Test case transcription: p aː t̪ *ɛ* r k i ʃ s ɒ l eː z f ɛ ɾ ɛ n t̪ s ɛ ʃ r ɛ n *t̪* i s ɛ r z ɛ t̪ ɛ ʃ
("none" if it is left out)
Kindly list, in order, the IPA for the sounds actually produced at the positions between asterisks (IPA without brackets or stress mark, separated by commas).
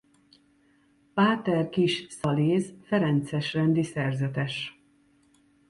ɛ, d̪